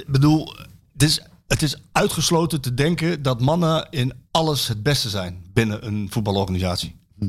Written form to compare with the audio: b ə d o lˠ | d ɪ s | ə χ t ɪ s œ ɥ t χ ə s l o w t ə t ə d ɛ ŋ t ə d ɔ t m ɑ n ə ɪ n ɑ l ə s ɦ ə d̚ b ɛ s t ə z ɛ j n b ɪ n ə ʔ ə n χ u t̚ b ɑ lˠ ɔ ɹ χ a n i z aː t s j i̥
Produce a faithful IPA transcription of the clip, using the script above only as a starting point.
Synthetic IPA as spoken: b ə d u lˠ | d ɪ s | ə t ɪ s œ ɥ t χ ə s l o w t ə t ə d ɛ ŋ k ə d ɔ t m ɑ n ə ɪ n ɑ l ə s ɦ ə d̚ b ɛ s t ə z ɛ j n b ɪ n ə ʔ ə n f u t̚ b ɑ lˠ ɔ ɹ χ a n i z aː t s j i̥